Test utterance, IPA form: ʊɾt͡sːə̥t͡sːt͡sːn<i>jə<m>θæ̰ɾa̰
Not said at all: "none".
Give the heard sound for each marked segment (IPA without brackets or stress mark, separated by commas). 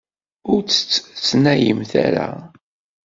æ, m